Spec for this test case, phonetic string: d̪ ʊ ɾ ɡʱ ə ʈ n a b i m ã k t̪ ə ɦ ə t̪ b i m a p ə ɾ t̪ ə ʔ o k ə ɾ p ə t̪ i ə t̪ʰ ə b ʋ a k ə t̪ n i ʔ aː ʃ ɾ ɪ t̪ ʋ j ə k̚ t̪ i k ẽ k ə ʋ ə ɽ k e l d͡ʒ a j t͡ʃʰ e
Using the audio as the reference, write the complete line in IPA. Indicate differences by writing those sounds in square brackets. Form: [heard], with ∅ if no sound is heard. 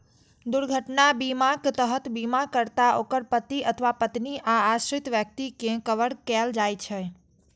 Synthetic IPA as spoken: d̪ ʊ ɾ ɡʱ ə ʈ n a b i m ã k t̪ ə ɦ ə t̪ b i m a [k] ə ɾ t̪ [a] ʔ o k ə ɾ p ə t̪ i ə t̪ʰ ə [∅] ʋ a [p] ə t̪ n i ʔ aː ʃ ɾ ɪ t̪ ʋ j ə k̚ t̪ i k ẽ k ə ʋ ə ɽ k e l d͡ʒ a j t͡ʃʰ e